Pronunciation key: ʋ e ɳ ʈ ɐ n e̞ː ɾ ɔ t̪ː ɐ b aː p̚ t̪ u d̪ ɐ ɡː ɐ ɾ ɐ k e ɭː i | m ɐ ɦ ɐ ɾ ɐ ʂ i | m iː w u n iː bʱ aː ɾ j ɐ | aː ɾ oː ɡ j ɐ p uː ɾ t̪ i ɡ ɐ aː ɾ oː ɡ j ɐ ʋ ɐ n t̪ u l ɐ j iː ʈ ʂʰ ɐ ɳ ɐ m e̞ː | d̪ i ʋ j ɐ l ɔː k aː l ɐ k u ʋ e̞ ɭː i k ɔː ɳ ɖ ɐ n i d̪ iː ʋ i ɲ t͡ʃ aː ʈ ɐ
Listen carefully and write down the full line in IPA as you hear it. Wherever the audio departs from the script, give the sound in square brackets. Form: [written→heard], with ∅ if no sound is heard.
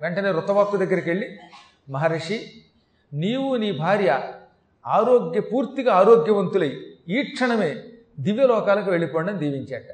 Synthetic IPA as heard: ʋ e ɳ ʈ ɐ n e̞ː ɾ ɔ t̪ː ɐ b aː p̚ t̪ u d̪ ɐ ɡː ɐ ɾ ɐ k e ɭː i | m ɐ ɦ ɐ ɾ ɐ ʂ i | [m→n] iː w u n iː bʱ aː ɾ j ɐ | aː ɾ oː ɡ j ɐ p uː ɾ t̪ i ɡ ɐ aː ɾ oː ɡ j ɐ ʋ ɐ n t̪ u l ɐ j iː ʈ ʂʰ ɐ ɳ ɐ m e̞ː | d̪ i ʋ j ɐ l ɔː k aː l ɐ k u ʋ e̞ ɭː i [k→p] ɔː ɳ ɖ ɐ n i d̪ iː ʋ i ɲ t͡ʃ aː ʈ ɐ